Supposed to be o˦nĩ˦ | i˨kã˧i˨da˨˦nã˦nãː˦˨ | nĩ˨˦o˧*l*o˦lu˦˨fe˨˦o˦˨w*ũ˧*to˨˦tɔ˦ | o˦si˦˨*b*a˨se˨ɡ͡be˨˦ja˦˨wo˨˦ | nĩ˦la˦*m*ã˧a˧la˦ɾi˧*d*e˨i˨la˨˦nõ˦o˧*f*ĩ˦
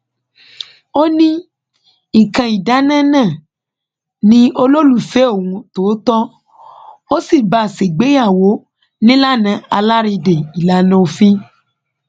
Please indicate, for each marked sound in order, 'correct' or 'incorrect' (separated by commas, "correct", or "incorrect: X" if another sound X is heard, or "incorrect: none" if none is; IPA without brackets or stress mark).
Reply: correct, correct, correct, incorrect: n, correct, correct